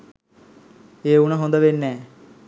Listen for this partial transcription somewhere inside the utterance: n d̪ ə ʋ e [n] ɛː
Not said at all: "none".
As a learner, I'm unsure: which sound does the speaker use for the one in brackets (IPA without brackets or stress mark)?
nː